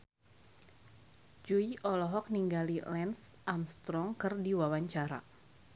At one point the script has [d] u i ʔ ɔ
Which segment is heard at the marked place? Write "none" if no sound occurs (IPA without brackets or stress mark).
d͡ʒ